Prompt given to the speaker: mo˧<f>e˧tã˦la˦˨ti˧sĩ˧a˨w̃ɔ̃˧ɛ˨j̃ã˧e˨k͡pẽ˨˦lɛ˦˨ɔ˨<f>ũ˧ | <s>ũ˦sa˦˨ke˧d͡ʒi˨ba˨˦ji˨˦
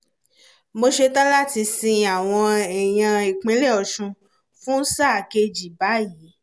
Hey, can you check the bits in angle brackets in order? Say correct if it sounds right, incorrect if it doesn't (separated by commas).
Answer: incorrect, incorrect, incorrect